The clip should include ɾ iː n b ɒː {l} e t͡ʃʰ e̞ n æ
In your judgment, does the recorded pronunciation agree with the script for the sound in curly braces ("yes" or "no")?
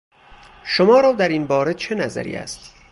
no